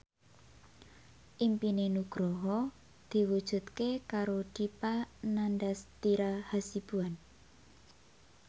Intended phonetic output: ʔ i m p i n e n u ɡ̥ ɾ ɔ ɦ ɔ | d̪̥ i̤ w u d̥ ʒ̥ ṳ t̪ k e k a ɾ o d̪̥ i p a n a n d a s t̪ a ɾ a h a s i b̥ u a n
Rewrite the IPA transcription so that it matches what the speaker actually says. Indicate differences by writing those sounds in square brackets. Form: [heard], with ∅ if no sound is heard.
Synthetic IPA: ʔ i m p i n e n u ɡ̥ ɾ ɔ ɦ ɔ | d̪̥ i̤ w u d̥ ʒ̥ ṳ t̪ k e k a ɾ o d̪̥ i p a n a n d a s t̪ [i] ɾ a h a s i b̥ u a n

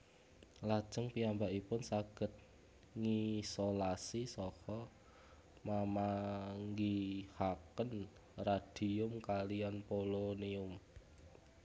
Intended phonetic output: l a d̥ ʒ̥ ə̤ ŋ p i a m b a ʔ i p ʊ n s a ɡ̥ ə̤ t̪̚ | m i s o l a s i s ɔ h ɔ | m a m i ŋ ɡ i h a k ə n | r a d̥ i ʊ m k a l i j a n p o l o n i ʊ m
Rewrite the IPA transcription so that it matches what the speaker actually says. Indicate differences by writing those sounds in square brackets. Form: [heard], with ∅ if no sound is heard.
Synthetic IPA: l a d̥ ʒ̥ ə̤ ŋ p i a m b a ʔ i p ʊ n s a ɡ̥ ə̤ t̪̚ | [ŋ] i s o l a s i s ɔ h ɔ | m a m [a] ŋ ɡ i h a k ə n | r a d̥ i ʊ m k a l i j a n p o l o n i ʊ m

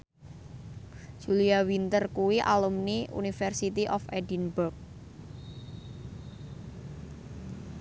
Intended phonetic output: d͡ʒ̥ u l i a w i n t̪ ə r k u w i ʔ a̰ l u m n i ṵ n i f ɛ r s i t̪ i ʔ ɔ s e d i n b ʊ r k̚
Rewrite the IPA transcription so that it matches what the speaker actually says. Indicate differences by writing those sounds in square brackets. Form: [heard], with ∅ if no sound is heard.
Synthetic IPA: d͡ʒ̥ u l i a w i n t̪ ə r k u w i ʔ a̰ l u m n i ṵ n i f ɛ r s i t̪ i ʔ ɔ [f] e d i n b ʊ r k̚

